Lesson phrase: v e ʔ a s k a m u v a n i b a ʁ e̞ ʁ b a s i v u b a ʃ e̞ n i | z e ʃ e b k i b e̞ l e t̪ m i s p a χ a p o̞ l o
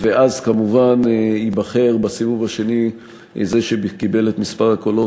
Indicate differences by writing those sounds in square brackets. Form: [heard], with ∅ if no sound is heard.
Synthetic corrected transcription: v e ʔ a [z] k a m u v a n i b a [χ] e̞ ʁ b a s i v u [v] a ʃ e̞ n i | z e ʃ e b k i b e̞ l e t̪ m i s p a [ʁ] a [k] o̞ l o